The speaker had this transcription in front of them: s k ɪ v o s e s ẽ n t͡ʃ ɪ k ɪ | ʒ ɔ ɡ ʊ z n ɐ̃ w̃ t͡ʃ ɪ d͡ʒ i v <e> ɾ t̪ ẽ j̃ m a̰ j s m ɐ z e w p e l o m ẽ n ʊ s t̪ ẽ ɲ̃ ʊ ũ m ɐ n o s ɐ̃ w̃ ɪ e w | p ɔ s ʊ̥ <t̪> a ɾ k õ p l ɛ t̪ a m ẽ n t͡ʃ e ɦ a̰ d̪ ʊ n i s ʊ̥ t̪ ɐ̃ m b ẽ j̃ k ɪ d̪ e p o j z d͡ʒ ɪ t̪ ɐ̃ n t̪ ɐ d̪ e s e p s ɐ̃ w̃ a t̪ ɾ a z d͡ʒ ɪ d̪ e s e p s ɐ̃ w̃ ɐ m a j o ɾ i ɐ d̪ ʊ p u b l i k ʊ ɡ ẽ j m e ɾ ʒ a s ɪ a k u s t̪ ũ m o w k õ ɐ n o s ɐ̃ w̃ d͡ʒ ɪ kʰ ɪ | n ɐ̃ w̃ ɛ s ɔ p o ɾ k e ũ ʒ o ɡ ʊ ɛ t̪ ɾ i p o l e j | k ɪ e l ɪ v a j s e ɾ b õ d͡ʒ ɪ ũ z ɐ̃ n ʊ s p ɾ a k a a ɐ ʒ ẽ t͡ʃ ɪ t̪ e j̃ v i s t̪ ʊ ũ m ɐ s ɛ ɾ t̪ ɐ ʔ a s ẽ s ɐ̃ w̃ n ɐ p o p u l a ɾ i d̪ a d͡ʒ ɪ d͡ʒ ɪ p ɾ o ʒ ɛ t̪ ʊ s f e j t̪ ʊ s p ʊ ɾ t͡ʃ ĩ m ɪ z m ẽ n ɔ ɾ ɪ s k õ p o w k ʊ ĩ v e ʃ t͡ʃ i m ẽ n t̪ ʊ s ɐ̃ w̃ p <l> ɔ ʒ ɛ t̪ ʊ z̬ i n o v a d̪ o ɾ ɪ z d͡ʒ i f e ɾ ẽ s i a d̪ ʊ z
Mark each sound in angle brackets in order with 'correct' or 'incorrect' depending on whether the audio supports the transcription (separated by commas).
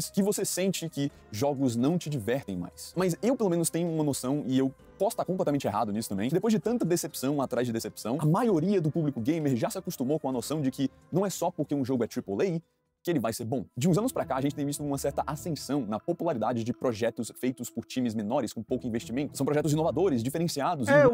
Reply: incorrect, correct, incorrect